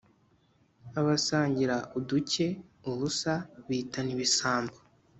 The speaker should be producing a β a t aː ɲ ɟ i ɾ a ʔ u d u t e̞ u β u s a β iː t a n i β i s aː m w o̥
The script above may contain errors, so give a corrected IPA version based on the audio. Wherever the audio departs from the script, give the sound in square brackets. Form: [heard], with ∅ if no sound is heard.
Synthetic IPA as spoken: a β a [s] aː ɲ ɟ i ɾ a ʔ u d u [c] e̞ u β u s a β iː t a n i β i s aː m [b] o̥